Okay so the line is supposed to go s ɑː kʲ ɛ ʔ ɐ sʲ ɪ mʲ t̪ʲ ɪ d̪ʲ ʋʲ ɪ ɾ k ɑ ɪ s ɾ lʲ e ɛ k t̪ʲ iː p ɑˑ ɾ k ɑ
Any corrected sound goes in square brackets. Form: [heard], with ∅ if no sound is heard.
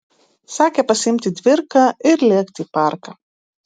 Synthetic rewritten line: s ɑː kʲ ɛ [p] ɐ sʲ ɪ mʲ t̪ʲ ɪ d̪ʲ ʋʲ ɪ ɾ k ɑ ɪ [∅] ɾ lʲ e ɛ k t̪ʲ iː p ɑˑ ɾ k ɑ